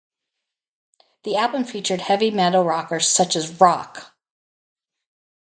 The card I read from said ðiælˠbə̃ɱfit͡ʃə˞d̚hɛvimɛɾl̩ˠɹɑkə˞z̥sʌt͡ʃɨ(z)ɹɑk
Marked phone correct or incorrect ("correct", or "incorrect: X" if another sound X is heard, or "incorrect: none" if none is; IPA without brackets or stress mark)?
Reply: correct